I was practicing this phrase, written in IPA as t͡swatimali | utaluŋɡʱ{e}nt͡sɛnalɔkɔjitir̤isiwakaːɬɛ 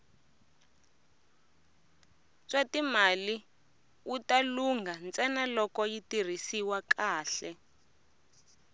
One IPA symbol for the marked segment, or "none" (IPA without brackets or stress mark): a